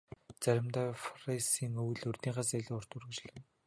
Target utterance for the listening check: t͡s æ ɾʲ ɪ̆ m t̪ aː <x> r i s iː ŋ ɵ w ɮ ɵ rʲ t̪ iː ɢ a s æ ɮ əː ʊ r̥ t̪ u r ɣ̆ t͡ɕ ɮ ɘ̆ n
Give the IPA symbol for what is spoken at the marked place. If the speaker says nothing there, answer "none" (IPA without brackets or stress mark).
f